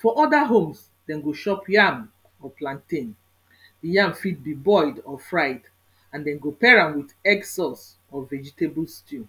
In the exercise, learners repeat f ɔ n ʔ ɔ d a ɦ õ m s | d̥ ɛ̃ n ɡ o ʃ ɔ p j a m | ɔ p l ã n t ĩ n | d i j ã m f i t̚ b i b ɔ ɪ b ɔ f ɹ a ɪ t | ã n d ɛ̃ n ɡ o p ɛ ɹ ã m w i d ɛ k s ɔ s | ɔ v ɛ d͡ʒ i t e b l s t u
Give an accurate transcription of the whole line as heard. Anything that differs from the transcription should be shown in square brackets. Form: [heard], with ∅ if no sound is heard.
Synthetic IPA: f ɔ [∅] ʔ ɔ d a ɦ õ m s | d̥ ɛ̃ n ɡ o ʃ ɔ p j a m | ɔ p l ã n t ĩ n | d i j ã m f i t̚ b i b ɔ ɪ [d] ɔ f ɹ a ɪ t | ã n d ɛ̃ n ɡ o p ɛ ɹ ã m w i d ɛ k s ɔ s | ɔ v ɛ d͡ʒ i t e b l s t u